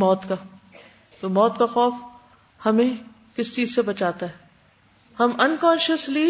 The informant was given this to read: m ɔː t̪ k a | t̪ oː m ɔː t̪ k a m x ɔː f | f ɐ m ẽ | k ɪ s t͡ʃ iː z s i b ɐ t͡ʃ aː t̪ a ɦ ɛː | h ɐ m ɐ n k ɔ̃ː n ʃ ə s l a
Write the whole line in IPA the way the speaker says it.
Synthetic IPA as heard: m ɔː t̪ k a | t̪ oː m ɔː t̪ k a x ɔː f | h ɐ m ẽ | k ɪ s t͡ʃ iː z s e b ɐ t͡ʃ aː t̪ a ɦ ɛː | h ɐ m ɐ n k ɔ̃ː n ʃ ə s l i